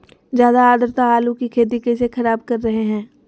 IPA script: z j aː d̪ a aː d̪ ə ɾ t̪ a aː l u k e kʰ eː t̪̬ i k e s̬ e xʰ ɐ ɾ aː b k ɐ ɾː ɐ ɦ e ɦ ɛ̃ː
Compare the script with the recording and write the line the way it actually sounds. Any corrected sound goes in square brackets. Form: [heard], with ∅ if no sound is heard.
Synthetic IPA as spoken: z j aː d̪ a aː d̪ ə ɾ t̪ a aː l u k [i] kʰ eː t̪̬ i k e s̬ e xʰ ɐ ɾ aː b k ɐ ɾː ɐ ɦ e ɦ ɛ̃ː